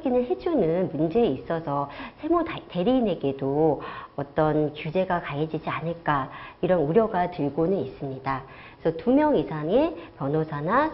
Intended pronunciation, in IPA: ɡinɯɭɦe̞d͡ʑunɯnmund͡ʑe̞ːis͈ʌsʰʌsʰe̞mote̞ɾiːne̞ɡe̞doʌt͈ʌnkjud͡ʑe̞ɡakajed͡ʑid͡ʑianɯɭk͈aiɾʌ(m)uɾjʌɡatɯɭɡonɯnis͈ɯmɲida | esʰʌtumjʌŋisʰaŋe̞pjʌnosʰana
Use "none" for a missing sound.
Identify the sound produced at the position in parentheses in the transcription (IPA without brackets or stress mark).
n